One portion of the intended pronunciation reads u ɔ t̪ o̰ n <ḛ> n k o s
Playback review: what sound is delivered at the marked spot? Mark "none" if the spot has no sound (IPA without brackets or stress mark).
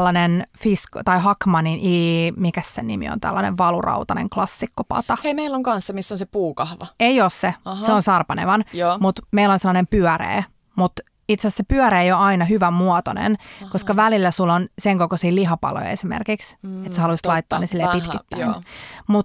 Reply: ḛ